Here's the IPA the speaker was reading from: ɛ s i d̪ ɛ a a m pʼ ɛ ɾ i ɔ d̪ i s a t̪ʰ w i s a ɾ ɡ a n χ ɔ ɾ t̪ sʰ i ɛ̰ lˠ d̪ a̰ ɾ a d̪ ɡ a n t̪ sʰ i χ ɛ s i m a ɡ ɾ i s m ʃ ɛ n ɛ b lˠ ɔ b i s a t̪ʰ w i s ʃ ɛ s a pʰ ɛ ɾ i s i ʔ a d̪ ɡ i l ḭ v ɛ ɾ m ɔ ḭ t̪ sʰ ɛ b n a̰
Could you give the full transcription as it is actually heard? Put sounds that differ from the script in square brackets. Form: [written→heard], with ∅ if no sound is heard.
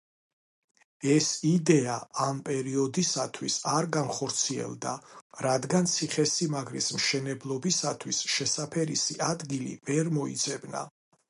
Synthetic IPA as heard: ɛ s i d̪ ɛ a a m pʼ ɛ ɾ i ɔ d̪ i s a t̪ʰ w i s a ɾ ɡ a n χ ɔ ɾ t̪ sʰ i ɛ̰ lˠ d̪ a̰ ɾ a d̪ ɡ a n t̪ sʰ i χ ɛ s i m a ɡ ɾ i s m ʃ ɛ n ɛ b lˠ ɔ b i s a t̪ʰ w i s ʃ ɛ s a pʰ ɛ ɾ i s i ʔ a d̪ ɡ i l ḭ v ɛ ɾ m ɔ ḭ t̪ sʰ ɛ b n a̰

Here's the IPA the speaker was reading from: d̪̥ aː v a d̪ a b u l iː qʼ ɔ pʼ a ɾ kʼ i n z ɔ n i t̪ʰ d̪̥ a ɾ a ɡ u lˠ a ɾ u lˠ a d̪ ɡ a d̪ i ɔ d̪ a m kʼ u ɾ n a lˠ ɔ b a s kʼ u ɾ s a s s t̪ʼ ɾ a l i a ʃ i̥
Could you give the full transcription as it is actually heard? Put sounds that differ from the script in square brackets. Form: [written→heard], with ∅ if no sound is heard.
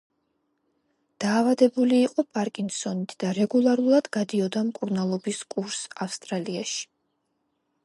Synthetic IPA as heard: d̪̥ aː v a d̪ [a→ɛ] b u l iː qʼ ɔ pʼ a ɾ kʼ i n [z→s] ɔ n i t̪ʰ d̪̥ a ɾ [a→ɛ] ɡ u lˠ a ɾ u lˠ a d̪ ɡ a d̪ i ɔ d̪ a m kʼ u ɾ n a lˠ ɔ b [a→i] s kʼ u ɾ s a [s→f] s t̪ʼ ɾ a l i a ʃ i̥

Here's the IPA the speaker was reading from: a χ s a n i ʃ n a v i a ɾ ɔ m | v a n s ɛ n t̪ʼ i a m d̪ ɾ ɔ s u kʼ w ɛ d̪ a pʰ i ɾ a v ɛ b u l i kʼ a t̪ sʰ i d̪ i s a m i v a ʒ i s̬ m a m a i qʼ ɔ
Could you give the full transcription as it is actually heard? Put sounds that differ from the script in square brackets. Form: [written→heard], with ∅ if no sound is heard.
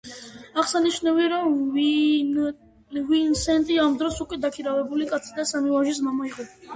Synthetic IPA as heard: a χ s a n i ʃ n a v i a ɾ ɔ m | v [a→i] n s ɛ n t̪ʼ i a m d̪ ɾ ɔ s u kʼ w ɛ d̪ a [pʰ→kʰ] i ɾ a v ɛ b u l i kʼ a t̪ sʰ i d̪ [i→a] s a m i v a ʒ i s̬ m a m a i qʼ ɔ

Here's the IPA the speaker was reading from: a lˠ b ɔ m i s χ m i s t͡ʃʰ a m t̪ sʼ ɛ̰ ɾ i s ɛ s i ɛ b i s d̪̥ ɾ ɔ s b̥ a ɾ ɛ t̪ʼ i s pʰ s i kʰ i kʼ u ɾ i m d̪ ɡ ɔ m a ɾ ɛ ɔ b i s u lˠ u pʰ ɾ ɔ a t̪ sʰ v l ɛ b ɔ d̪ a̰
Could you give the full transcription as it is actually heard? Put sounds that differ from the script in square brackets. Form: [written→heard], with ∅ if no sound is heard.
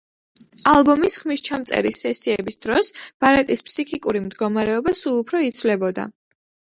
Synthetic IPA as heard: a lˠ b ɔ m i s χ m i s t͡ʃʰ a m t̪ sʼ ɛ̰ ɾ i s ɛ s i ɛ b i s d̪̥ ɾ ɔ s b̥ a ɾ ɛ t̪ʼ i s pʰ s i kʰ i kʼ u ɾ i m d̪ ɡ ɔ m a ɾ ɛ ɔ b [i→a] s u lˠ u pʰ ɾ ɔ [a→i] t̪ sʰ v l ɛ b ɔ d̪ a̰

